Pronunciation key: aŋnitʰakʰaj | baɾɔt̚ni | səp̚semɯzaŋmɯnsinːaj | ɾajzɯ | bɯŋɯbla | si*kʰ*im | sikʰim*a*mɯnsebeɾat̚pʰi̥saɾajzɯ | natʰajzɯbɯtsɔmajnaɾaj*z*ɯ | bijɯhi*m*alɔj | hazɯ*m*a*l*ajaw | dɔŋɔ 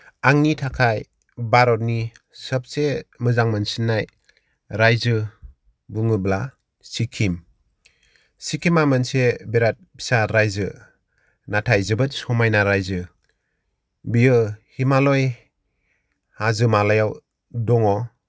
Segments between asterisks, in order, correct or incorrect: correct, correct, correct, correct, correct, correct

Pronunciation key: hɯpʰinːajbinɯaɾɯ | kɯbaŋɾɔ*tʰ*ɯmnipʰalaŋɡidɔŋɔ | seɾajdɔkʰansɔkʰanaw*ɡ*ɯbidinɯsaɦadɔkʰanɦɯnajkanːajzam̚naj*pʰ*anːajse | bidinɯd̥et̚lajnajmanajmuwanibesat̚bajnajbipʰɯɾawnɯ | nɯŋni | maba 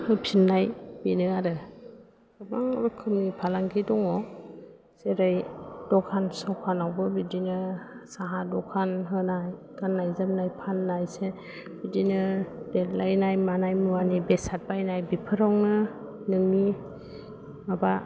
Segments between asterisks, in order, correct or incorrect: incorrect, incorrect, correct

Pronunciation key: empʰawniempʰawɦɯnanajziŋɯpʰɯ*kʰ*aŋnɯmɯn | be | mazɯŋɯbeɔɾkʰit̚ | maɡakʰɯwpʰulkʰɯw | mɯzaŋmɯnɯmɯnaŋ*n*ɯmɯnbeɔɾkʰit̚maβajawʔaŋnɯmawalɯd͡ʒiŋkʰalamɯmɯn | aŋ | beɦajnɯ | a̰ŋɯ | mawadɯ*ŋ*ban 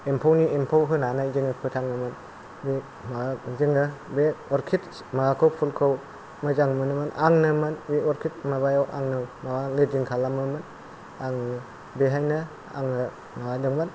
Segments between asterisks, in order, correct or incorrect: incorrect, correct, correct

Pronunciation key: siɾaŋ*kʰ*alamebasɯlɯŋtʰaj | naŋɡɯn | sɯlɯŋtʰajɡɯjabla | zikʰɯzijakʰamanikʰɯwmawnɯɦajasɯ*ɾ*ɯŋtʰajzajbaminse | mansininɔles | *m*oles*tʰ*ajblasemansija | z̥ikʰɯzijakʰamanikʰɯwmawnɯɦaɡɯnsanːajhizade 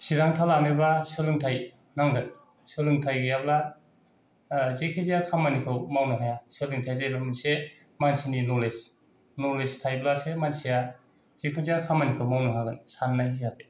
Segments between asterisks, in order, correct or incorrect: incorrect, incorrect, incorrect, correct

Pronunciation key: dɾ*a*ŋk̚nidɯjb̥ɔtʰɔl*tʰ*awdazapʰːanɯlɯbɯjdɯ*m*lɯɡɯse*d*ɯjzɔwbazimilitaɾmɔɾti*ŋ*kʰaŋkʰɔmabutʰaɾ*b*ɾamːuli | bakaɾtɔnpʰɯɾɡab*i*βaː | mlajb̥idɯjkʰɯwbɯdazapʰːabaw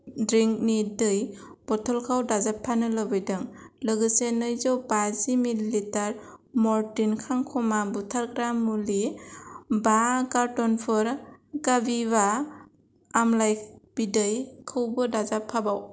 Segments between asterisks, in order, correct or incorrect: incorrect, incorrect, incorrect, incorrect, incorrect, incorrect, correct

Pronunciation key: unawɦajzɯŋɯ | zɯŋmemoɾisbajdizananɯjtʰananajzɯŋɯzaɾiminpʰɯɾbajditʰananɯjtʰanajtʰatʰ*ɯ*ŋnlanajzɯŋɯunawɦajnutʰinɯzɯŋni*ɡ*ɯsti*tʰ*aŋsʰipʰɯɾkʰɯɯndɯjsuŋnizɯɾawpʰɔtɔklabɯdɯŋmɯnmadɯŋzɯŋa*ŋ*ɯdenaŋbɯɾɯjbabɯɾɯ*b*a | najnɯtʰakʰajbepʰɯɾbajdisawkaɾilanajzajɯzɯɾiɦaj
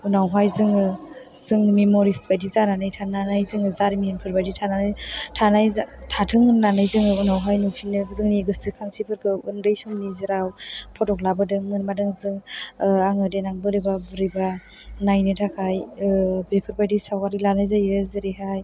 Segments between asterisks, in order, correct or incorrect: correct, correct, incorrect, correct, correct

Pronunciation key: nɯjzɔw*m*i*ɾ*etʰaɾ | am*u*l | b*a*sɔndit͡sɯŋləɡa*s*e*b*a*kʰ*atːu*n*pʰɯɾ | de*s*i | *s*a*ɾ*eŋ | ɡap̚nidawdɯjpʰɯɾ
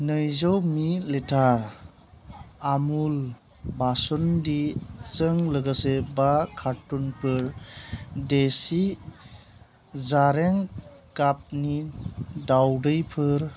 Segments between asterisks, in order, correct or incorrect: correct, incorrect, correct, correct, correct, correct, correct, correct, correct, incorrect, correct

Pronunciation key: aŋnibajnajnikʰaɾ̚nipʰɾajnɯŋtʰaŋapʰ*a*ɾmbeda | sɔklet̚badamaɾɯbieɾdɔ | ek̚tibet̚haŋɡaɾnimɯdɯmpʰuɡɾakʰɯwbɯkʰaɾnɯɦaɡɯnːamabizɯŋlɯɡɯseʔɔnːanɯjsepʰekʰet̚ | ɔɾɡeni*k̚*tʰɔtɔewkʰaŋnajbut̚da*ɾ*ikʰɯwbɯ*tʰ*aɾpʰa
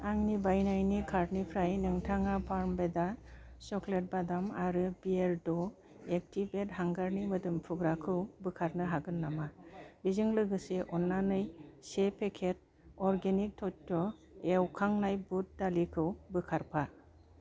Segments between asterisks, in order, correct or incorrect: correct, correct, incorrect, incorrect

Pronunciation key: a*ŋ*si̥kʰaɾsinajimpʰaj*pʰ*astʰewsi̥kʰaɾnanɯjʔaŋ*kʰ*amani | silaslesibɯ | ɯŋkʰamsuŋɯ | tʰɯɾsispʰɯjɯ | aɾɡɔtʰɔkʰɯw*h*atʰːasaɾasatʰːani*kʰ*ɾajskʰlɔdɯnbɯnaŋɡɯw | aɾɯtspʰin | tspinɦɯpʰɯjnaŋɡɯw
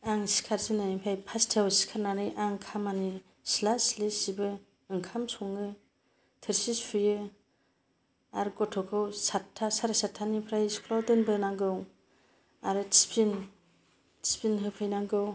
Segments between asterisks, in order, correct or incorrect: correct, correct, correct, incorrect, incorrect

